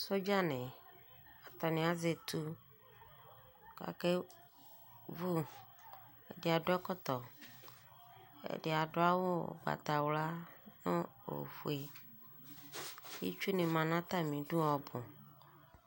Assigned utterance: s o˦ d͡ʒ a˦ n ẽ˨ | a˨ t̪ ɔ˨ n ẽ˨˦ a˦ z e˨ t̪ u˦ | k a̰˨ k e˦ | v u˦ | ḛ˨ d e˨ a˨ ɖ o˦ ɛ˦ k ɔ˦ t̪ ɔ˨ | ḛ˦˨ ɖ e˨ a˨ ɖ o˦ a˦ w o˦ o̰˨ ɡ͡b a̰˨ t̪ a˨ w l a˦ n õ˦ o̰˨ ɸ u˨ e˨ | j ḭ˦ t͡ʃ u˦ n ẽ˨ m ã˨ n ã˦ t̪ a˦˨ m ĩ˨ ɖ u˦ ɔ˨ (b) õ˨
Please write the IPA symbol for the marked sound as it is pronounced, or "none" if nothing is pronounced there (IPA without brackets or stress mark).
b